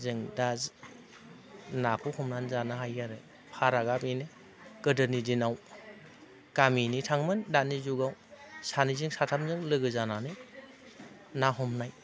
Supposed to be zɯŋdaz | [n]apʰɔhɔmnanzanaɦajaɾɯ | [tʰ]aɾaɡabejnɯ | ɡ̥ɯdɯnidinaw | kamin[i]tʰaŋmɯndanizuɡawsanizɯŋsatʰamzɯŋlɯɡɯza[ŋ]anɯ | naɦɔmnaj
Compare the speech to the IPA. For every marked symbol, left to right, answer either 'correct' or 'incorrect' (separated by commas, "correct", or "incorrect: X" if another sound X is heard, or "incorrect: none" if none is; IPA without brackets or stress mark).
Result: correct, incorrect: pʰ, correct, incorrect: n